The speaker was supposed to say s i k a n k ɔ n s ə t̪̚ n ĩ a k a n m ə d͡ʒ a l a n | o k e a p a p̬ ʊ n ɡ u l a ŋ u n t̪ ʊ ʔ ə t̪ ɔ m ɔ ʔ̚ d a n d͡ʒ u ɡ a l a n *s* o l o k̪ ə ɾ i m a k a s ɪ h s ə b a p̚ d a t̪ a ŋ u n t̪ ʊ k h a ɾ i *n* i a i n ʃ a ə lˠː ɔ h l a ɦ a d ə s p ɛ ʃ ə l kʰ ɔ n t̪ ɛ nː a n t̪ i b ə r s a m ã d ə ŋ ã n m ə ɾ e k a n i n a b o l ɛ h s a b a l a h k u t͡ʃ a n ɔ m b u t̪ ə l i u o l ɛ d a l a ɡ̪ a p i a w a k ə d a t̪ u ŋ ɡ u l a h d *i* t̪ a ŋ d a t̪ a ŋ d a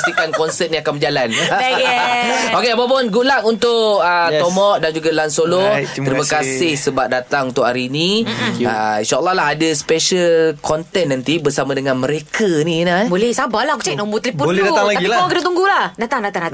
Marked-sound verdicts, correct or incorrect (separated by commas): correct, correct, incorrect